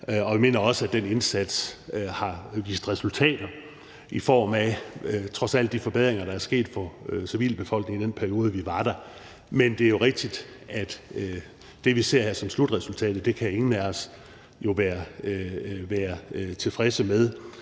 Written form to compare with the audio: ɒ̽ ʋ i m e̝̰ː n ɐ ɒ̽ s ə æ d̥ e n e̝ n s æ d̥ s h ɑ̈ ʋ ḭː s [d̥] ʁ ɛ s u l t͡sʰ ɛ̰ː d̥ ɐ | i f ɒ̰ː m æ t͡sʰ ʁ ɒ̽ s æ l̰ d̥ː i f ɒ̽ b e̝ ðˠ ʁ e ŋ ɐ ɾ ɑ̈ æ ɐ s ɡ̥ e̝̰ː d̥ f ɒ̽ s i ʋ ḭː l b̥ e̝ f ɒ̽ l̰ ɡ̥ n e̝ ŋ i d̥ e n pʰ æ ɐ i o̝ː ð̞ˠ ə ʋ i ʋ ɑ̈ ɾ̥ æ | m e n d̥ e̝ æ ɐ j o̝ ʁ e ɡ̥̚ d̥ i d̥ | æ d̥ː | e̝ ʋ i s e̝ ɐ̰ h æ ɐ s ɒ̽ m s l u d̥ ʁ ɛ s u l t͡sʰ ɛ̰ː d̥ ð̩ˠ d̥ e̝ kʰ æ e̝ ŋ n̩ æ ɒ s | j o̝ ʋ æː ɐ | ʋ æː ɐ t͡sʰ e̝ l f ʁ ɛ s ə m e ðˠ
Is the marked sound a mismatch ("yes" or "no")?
no